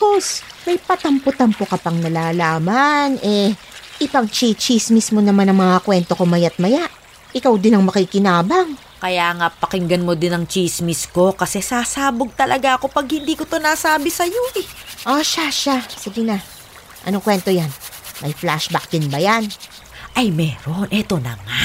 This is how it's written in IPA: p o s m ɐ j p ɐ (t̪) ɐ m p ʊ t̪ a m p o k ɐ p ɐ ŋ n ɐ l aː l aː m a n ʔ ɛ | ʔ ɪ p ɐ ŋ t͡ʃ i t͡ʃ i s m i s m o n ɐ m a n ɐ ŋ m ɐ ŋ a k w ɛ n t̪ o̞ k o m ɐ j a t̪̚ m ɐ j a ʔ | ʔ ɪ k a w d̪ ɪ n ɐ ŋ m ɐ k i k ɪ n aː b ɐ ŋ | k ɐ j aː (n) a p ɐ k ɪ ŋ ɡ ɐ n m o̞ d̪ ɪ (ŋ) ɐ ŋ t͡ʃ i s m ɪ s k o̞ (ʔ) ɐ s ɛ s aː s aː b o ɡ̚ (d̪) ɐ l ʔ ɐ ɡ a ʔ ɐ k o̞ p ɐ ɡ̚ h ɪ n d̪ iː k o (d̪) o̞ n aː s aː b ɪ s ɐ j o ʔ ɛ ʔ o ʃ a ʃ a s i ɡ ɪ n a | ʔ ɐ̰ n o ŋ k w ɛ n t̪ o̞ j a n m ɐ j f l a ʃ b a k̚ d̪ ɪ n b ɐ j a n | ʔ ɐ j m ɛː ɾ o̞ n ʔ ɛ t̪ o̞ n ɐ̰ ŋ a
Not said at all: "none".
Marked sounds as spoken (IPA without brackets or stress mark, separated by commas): t̪, ŋ, n, k, t̪, t̪